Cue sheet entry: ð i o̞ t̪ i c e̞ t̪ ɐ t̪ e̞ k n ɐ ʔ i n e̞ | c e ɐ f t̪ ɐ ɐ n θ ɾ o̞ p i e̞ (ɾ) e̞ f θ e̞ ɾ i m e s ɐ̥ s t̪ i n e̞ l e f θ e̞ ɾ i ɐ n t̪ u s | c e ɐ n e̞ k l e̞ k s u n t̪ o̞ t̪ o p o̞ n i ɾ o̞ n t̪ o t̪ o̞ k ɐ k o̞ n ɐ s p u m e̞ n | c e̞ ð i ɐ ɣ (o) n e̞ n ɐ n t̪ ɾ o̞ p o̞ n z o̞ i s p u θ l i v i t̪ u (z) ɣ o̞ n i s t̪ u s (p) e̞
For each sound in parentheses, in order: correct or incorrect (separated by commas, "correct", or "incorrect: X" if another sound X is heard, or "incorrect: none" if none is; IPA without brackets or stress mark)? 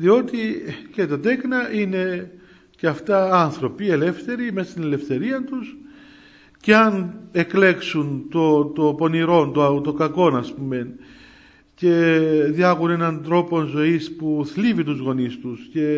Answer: incorrect: l, incorrect: u, correct, incorrect: c